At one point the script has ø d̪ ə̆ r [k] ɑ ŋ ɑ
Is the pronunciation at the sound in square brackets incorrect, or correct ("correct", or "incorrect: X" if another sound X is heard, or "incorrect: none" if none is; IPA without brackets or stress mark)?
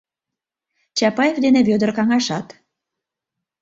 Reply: correct